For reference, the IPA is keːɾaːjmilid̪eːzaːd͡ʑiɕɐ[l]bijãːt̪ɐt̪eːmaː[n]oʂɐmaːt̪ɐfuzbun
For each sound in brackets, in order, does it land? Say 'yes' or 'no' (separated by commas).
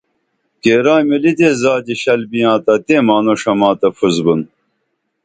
yes, yes